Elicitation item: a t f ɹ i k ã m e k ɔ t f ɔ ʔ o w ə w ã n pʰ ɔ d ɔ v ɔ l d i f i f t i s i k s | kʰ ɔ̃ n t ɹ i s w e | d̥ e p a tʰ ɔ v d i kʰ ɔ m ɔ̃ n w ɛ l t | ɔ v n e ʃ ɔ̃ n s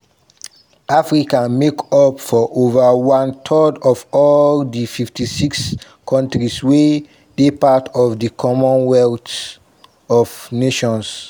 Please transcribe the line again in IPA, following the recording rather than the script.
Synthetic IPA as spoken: a f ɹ i k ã m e k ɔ p f ɔ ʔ o v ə w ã n tʰ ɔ d ɔ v ɔ l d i f i f t i s i k s | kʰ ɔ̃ n t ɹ i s w e | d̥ e p a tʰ ɔ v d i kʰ ɔ m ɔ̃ n w ɛ l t | ɔ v n e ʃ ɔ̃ n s